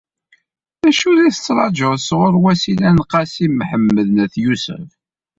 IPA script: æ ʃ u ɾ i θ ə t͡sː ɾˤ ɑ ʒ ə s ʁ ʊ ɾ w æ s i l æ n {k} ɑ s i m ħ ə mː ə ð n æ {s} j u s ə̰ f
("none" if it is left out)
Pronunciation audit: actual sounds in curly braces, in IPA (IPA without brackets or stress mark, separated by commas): q, θ